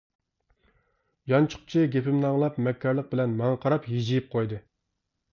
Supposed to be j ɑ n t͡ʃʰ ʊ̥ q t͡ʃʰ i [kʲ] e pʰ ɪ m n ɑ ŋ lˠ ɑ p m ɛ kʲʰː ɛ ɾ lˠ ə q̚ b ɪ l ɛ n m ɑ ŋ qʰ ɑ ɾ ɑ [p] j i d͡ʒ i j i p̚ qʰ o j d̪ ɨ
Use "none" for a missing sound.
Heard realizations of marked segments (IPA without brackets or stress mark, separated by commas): ɡʲ, p